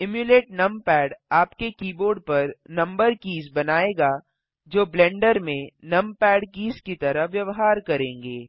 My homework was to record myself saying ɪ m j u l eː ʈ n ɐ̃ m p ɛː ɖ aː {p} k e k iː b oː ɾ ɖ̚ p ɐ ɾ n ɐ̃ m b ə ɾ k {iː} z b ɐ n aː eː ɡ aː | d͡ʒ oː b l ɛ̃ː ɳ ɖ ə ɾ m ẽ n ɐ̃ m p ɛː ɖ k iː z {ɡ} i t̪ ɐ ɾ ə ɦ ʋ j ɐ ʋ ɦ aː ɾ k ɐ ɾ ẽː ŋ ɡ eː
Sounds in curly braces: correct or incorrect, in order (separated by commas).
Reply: correct, correct, incorrect